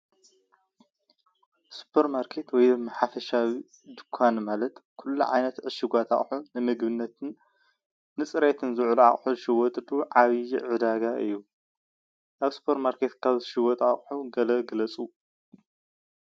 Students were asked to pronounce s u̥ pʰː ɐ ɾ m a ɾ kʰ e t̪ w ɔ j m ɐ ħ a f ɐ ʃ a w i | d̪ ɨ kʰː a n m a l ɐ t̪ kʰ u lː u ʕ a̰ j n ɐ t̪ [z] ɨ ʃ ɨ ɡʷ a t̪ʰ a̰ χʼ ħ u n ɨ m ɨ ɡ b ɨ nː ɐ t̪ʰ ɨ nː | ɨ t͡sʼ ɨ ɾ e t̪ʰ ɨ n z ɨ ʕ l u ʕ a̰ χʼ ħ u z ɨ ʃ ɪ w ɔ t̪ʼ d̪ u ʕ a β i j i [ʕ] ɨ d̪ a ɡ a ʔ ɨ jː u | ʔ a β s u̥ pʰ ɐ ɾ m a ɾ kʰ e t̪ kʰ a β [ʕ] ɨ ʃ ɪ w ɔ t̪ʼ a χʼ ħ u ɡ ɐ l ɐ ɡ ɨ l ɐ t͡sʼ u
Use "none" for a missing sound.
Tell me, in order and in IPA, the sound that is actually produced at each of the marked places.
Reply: ʕ, ʕ, z

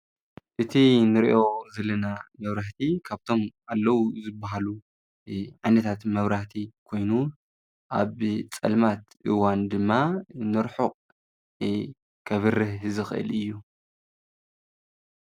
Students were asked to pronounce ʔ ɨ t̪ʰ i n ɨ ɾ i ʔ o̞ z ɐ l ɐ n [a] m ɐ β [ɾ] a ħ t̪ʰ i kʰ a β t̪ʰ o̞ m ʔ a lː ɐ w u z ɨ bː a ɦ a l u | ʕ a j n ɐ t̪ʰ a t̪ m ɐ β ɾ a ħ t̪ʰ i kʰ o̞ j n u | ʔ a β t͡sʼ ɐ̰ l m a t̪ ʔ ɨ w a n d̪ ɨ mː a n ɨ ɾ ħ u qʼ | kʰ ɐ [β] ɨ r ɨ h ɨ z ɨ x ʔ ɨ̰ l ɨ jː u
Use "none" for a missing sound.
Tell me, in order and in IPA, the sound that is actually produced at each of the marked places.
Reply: a, ɾ, β

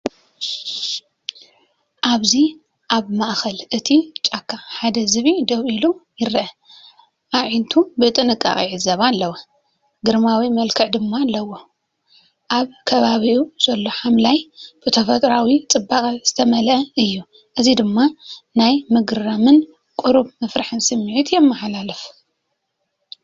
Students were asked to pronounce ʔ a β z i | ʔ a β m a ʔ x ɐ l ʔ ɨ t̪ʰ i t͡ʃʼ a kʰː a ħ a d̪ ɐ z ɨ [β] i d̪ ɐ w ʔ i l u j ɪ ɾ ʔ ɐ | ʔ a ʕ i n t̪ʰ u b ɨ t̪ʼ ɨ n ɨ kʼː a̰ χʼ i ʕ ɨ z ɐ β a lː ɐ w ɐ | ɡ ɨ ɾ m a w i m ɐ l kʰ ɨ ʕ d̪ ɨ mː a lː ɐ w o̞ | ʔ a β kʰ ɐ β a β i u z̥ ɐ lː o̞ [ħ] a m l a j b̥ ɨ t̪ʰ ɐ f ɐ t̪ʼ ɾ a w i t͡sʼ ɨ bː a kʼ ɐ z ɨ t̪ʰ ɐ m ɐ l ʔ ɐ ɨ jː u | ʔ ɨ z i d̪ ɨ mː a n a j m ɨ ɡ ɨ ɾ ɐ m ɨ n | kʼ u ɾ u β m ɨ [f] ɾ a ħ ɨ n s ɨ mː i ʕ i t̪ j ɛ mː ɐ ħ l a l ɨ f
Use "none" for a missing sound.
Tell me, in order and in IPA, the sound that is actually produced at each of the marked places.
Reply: β, ħ, f

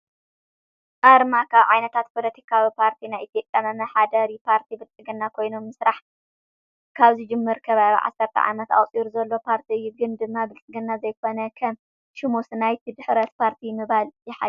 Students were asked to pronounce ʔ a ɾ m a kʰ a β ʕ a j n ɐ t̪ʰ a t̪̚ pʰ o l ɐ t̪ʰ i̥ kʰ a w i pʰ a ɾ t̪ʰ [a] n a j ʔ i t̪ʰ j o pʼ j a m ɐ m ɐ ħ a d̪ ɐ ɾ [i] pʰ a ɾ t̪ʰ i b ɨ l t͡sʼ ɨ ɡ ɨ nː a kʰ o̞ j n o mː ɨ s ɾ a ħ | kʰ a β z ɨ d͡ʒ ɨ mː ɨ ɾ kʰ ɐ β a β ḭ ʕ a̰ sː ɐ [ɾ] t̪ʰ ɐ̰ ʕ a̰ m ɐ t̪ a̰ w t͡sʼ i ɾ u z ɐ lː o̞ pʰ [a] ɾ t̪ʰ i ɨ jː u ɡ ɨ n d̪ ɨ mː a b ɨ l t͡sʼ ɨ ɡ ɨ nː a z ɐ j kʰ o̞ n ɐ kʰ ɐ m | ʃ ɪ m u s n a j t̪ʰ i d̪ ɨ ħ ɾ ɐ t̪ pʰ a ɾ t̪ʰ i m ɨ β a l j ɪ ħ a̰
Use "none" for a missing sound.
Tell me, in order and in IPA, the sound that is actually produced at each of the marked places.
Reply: i, i, ɾ, a

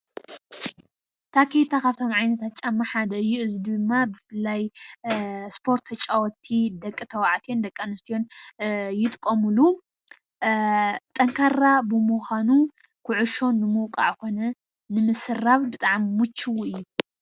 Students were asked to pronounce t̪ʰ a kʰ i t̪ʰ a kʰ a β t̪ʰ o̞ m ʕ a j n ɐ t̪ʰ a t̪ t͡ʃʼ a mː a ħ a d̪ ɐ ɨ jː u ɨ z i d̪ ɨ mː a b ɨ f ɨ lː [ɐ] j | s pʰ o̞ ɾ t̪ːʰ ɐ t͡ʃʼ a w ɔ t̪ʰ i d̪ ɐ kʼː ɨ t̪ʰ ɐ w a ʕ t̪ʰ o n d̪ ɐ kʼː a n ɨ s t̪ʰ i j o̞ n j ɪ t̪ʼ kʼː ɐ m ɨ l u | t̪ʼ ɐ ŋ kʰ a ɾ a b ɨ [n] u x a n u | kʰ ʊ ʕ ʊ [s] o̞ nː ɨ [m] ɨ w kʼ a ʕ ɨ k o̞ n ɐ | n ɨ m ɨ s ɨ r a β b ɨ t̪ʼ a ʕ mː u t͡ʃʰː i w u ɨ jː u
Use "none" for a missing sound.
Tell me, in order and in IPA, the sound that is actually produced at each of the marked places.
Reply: a, m, ʃ, m

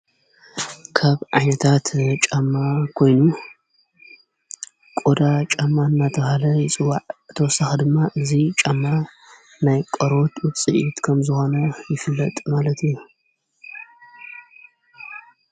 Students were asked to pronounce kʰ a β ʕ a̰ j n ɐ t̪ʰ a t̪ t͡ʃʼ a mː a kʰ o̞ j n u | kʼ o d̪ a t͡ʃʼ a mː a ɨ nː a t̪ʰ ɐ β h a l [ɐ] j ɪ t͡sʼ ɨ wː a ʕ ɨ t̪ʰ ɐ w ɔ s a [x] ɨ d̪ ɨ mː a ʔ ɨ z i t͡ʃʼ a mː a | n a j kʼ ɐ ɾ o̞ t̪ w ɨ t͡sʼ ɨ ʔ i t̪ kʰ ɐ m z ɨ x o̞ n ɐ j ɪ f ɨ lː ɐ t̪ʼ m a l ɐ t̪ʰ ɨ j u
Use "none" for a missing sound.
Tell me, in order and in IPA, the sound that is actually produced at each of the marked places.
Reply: ɐ, x

